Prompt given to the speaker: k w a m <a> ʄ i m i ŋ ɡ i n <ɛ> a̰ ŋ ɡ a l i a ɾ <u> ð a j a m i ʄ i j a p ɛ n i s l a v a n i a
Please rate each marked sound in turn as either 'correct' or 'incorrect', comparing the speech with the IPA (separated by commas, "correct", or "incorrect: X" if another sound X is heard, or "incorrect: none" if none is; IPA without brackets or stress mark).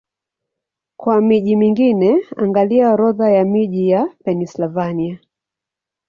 incorrect: i, correct, incorrect: ɔ